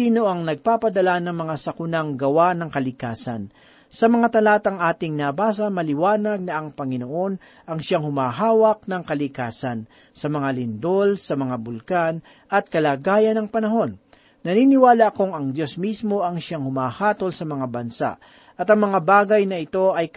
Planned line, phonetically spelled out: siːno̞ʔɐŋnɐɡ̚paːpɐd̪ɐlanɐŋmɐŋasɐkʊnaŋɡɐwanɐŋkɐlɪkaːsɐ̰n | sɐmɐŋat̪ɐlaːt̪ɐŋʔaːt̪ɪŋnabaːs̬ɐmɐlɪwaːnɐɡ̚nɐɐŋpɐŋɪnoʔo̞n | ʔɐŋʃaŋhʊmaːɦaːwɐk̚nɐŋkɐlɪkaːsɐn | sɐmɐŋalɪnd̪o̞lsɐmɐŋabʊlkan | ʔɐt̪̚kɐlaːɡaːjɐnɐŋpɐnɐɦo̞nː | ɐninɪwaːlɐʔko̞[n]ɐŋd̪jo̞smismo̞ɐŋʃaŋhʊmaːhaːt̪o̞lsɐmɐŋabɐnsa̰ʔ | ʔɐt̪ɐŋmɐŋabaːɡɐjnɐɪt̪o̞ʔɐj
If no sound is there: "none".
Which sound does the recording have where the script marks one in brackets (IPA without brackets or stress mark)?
ŋ